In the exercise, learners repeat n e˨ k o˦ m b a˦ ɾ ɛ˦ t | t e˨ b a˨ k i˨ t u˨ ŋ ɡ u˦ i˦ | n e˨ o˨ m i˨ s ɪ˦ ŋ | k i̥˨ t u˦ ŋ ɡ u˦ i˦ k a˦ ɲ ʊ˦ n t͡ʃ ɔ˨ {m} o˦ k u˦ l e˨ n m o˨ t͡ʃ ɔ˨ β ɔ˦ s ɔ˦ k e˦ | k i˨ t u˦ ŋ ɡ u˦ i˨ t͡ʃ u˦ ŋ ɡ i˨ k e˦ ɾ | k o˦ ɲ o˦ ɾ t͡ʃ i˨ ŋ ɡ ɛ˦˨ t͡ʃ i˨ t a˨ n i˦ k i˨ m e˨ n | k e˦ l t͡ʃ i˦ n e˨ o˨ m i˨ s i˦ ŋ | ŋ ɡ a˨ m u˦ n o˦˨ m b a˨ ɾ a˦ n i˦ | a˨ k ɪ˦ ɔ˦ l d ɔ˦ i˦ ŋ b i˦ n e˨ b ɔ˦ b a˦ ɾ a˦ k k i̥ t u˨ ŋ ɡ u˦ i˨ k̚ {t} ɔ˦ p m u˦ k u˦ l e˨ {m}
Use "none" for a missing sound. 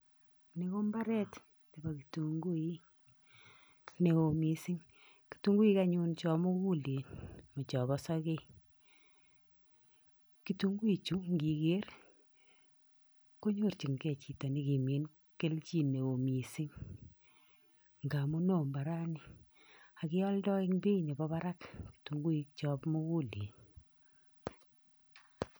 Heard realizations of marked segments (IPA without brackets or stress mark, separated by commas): m, t͡ʃ, n